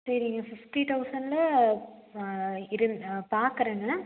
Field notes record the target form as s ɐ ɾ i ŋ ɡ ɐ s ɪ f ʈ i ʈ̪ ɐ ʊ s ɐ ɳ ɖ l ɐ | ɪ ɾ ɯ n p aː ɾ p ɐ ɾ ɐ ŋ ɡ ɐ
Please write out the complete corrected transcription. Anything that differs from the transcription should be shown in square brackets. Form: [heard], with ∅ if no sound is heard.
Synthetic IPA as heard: s ɐ ɾ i ŋ ɡ ɐ [f] ɪ f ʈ i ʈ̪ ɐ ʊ s ɐ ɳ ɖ l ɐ | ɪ ɾ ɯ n p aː ɾ [k] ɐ ɾ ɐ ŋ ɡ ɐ